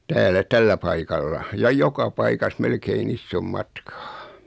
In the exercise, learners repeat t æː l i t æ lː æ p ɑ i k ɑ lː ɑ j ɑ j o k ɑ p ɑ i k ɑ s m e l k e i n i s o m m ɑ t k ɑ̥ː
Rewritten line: t æː l æ t æ lː æ p ɑ i k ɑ lː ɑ j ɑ j o k ɑ p ɑ i k ɑ s m e l k e i n i sː o m m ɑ t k ɑ̥ː

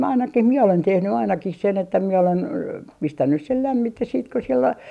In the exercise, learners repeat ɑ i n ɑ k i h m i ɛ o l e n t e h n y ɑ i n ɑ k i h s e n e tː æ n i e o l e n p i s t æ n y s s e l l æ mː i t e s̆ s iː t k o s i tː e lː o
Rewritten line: ɑ i n ɑ k i h m i ɛ o l e n t e h n y ɑ i n ɑ k i h s e n e tː æ m i e o l e n p i s t æ nː y s s e l l æ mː i t e s̆ s iː t k o s i e lː o

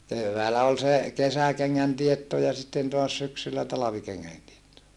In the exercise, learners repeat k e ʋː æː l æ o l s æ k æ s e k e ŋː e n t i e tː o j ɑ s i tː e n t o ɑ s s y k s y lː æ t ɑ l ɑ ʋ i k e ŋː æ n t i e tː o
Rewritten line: k e ʋː æː l æ o l s e k e s æ k e ŋː æ n t i e tː o j ɑ s i tː e n t o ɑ s s y k s y lː æ t ɑ l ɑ ʋ i k e ŋː æ n t i e tː o

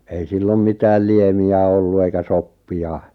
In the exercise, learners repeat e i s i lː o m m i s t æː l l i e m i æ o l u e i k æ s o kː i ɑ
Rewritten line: e i s i lː o m m i t æː l l i e m i æ o lː u e i k æ s o pː i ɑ

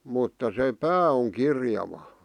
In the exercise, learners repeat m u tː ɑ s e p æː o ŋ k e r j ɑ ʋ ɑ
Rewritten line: m u tː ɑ s e p æː o ŋ k i r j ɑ ʋ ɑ

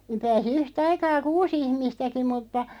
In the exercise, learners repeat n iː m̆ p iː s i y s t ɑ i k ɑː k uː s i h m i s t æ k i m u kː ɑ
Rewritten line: n iː m̆ p æː s i y h t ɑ i k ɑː k uː s i h m i s t æ k i m u tː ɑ

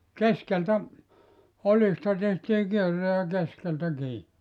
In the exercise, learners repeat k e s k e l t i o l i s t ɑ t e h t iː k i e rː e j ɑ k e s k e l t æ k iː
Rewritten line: k e s k e l t æ o l i s t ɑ t e h t iː k i e rː e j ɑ k e s k e l t æ k iː

